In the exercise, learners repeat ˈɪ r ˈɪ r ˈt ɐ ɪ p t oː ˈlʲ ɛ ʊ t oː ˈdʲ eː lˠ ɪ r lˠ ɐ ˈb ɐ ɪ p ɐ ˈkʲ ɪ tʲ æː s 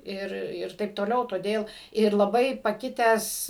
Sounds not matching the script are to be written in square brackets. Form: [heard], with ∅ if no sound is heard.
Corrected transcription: ˈɪ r ˈɪ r ˈt ɐ ɪ p t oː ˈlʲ ɛ ʊ t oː ˈdʲ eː lˠ ɪ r lˠ ɐ ˈb ɐ ɪ p ɐ ˈkʲ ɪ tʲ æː s